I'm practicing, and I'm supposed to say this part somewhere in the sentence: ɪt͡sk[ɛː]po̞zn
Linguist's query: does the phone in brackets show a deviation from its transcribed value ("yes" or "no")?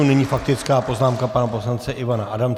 yes